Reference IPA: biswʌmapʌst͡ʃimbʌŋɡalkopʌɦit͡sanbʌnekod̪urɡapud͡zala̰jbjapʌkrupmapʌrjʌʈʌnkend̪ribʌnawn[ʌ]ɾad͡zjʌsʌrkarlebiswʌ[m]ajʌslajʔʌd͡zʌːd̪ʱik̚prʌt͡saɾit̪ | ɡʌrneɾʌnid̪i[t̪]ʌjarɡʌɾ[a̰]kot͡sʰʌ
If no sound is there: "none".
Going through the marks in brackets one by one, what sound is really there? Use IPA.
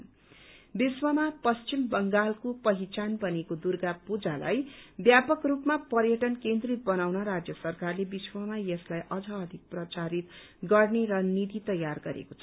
ʌ, m, t̪, ḛ

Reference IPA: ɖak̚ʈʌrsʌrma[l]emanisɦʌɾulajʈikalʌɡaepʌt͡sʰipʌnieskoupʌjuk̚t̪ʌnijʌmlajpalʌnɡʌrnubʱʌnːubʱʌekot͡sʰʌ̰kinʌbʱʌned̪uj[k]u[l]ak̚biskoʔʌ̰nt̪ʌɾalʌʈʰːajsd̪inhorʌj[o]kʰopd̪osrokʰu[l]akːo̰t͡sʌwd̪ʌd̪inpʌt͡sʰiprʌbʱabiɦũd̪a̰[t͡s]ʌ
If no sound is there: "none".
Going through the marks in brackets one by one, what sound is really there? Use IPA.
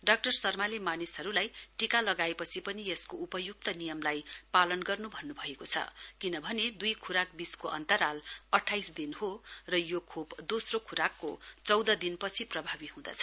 l, kʰ, ɾ, o, ɾ, t͡sʰ

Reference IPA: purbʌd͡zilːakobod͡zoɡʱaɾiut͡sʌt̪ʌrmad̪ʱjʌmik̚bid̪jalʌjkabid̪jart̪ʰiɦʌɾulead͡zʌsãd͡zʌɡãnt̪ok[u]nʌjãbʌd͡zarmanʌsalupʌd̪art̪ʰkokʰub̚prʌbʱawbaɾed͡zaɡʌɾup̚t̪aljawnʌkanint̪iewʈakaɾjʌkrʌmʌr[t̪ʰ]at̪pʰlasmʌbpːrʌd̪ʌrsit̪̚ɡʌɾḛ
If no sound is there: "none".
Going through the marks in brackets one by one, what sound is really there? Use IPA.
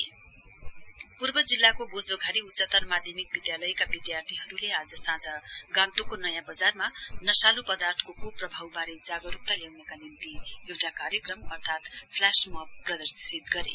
o, t̪ʰ

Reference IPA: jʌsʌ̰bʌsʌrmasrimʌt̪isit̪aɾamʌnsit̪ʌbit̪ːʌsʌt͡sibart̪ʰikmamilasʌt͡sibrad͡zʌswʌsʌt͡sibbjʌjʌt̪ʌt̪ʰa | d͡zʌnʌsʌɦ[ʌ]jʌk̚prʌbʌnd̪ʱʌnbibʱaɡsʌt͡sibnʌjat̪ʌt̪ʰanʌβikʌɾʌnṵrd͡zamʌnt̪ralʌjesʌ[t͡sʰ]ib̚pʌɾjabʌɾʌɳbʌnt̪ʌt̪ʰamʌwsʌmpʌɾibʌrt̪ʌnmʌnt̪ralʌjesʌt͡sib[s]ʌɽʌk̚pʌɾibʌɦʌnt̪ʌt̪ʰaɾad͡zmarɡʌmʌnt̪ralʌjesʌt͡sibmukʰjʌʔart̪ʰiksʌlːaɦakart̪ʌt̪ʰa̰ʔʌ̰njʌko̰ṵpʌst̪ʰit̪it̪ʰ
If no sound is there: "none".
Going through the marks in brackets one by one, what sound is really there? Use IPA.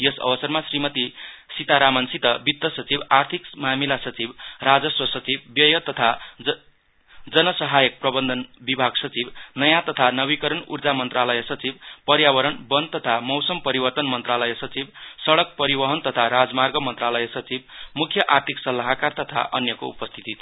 a, t͡s, s

